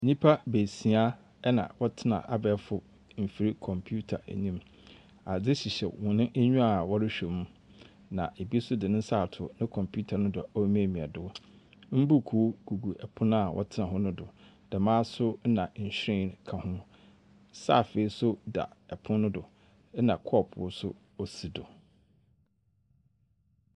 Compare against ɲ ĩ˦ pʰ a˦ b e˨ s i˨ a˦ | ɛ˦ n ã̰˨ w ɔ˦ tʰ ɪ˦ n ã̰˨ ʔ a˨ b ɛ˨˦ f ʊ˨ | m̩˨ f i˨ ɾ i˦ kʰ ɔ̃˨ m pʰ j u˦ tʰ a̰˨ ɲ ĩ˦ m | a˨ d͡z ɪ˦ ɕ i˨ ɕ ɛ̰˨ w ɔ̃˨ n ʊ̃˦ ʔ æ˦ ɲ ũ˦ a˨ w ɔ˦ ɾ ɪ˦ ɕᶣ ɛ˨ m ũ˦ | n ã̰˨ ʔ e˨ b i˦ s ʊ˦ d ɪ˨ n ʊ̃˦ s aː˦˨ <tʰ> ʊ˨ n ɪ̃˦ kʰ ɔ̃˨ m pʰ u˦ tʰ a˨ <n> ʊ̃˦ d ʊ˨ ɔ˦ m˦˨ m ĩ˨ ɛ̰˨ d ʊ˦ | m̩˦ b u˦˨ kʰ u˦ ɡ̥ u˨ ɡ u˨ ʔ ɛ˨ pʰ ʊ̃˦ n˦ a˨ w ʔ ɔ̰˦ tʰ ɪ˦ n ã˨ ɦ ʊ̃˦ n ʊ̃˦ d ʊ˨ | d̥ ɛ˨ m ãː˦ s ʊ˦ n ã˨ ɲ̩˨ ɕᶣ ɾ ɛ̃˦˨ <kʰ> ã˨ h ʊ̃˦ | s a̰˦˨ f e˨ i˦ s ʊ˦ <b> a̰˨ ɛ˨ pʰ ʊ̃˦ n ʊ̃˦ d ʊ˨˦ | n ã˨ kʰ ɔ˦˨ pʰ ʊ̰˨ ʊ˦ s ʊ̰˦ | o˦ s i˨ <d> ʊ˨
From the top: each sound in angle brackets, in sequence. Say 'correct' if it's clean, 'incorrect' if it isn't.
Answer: correct, correct, correct, incorrect: d, correct

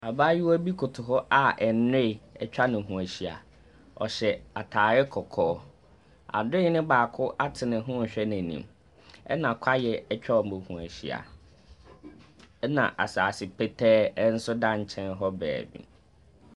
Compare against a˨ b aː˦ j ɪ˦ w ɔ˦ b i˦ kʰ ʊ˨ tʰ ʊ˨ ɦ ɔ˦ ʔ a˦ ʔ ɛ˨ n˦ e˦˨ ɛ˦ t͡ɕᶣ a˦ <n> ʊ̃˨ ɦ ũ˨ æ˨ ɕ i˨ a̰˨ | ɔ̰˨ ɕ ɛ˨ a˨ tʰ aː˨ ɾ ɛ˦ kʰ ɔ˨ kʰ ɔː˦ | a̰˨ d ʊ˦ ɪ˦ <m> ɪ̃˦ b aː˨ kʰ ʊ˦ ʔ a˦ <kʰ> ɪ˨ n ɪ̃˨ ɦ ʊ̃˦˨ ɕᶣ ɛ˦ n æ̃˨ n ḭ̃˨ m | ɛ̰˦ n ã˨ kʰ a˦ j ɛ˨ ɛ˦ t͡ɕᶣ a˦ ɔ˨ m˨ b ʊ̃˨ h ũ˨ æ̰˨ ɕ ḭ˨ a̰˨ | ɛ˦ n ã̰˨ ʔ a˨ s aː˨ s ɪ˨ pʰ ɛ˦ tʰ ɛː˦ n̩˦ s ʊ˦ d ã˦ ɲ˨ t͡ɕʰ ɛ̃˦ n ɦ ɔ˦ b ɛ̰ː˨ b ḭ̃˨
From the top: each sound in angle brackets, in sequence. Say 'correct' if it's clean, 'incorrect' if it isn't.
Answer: correct, incorrect: n, incorrect: tʰ

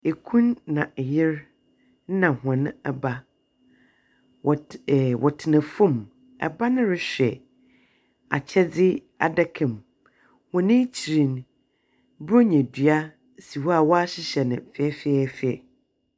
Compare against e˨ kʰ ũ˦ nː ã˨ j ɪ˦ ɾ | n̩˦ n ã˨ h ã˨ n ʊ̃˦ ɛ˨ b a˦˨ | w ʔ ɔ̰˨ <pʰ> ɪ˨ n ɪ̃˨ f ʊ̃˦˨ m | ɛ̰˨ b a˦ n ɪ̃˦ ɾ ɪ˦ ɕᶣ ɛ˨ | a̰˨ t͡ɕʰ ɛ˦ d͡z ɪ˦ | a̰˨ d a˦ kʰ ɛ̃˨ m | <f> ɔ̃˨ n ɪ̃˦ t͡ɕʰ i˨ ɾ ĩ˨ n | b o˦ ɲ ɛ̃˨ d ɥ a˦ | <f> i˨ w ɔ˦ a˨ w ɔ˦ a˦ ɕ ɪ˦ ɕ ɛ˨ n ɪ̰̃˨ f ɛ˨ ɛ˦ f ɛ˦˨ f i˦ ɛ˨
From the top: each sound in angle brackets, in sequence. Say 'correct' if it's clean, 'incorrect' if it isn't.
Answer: incorrect: tʰ, incorrect: h, incorrect: s

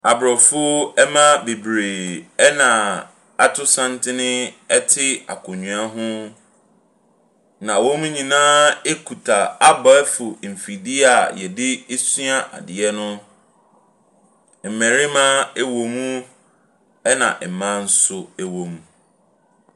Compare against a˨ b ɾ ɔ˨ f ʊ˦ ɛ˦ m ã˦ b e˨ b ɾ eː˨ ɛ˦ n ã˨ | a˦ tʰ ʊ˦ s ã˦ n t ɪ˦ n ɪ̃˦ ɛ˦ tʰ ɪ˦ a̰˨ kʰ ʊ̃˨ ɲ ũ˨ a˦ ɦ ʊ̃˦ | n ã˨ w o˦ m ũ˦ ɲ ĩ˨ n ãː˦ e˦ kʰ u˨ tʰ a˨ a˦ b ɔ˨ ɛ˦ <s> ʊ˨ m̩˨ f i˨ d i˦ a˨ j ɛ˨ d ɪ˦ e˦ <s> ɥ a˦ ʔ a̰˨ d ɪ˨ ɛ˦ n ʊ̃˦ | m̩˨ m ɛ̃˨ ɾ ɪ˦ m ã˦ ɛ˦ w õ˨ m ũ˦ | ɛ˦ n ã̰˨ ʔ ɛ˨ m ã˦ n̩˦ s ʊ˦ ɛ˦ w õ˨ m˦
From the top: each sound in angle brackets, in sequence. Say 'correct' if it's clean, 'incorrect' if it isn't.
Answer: incorrect: f, correct

